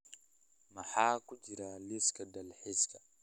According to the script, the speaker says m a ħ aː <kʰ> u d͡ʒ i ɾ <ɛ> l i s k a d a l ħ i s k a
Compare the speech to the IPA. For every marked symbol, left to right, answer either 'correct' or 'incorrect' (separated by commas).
incorrect, incorrect